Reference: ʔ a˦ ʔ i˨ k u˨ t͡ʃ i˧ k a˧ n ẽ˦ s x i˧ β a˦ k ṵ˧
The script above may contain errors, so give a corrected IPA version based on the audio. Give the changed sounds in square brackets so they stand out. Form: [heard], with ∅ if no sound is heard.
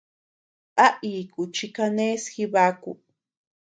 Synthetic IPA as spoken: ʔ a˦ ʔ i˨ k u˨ t͡ʃ i˧ k a˧ n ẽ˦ s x i˧ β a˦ k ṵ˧

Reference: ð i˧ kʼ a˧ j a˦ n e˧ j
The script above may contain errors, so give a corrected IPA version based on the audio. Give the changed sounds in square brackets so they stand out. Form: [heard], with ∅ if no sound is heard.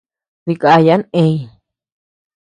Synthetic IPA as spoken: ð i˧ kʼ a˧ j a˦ n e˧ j

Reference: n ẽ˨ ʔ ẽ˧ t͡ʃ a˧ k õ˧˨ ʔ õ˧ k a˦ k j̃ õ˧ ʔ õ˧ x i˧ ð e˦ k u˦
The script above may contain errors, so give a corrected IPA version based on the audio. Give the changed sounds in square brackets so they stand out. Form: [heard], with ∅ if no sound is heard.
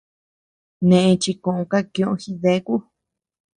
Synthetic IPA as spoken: n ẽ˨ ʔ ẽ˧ t͡ʃ [i˧] k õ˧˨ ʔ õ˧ k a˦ k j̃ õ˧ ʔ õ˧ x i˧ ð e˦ k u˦

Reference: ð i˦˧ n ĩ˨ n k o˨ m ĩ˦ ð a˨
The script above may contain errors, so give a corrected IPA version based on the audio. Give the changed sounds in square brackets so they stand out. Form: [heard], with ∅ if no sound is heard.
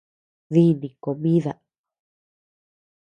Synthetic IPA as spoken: ð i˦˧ n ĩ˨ [∅] k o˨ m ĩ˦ ð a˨

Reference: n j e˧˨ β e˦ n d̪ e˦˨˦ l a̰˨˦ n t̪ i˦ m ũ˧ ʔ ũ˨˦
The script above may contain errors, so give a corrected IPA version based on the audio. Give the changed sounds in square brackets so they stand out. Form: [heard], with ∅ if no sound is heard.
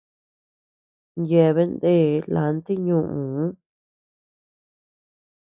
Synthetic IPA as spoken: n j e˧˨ β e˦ n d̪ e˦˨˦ l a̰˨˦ n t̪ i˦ [ɲ] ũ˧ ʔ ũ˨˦

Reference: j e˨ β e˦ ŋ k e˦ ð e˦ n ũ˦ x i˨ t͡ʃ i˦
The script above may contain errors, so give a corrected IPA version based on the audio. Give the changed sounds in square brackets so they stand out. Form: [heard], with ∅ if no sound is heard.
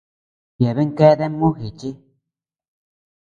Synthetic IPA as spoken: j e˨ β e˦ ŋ k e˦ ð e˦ [m] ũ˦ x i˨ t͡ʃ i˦

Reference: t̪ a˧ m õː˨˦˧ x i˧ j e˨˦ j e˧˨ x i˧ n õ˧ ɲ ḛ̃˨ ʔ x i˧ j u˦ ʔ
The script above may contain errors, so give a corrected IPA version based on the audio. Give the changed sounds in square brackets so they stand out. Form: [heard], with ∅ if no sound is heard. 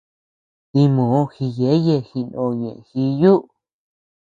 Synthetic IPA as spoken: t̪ [i˧] m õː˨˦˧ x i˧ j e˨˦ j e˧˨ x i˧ n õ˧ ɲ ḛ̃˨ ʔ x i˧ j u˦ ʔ

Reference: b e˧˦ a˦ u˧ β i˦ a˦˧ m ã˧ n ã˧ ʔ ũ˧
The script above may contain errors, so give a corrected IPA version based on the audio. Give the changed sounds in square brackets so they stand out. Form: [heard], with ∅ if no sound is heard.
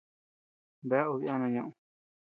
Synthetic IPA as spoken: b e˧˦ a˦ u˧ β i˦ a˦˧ [n] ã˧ [ɲ] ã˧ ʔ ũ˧

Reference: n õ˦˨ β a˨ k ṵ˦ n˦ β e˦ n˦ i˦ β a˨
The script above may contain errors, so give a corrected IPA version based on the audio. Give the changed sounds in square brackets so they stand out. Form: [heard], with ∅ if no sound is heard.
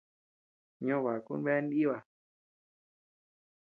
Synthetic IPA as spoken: [ɲ] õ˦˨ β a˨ k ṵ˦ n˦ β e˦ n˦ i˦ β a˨

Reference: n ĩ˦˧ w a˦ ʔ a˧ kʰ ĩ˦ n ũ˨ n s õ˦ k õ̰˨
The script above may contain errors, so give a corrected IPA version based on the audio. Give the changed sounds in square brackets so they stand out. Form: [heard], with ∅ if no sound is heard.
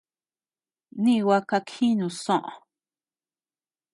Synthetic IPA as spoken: n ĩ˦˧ w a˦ [k] a˧ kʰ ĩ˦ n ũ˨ [∅] s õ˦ [ʔ] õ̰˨

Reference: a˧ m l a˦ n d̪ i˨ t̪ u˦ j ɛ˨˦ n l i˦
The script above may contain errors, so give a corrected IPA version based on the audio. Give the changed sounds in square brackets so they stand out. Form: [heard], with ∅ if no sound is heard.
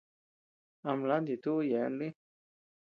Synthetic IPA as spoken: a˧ m l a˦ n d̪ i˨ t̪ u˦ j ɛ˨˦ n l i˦

